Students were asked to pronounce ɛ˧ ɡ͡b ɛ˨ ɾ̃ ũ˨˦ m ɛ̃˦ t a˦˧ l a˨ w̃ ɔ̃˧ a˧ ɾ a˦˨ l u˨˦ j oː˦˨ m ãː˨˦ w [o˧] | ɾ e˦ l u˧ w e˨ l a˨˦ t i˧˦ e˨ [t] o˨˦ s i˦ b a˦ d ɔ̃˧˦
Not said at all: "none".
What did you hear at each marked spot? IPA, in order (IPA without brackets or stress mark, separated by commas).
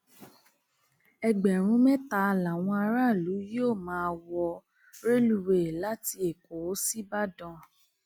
ɔ˧, k